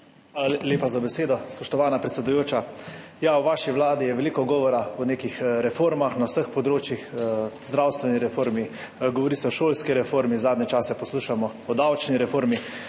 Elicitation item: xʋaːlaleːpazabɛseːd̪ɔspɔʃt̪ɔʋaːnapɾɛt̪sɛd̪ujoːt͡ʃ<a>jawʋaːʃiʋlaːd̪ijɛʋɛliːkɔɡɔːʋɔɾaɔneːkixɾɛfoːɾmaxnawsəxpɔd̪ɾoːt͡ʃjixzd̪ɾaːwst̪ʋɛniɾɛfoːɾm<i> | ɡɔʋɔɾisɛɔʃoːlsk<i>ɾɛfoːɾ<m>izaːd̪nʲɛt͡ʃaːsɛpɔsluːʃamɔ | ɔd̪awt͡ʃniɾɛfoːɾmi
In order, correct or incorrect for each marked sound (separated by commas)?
correct, correct, correct, correct